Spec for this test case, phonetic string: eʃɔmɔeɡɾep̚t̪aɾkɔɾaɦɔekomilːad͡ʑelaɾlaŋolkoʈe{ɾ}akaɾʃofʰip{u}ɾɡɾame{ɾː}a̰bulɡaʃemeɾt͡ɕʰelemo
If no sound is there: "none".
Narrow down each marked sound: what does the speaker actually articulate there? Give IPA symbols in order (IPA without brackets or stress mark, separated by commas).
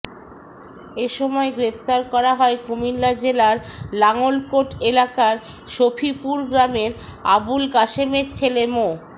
l, u, ɾ